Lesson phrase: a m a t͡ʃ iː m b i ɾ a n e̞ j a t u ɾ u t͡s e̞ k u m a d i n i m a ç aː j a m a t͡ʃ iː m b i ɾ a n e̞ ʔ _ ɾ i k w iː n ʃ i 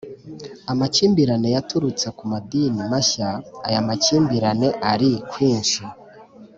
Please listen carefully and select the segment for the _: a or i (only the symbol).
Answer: a